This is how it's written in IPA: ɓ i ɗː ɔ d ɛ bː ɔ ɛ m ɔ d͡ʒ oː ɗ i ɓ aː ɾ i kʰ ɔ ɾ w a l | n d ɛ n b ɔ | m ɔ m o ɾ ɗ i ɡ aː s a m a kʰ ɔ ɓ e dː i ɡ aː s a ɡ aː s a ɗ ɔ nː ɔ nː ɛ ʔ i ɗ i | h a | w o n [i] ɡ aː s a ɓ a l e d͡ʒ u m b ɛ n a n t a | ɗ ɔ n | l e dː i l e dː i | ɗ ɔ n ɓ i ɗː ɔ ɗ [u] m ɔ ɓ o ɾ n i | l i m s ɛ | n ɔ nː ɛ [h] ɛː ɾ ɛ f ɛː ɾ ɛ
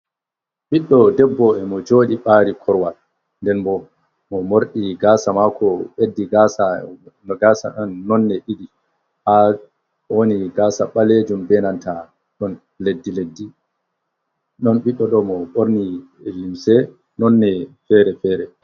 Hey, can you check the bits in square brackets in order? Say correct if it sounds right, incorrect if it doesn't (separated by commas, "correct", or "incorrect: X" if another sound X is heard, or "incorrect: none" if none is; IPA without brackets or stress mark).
correct, incorrect: ɔ, incorrect: f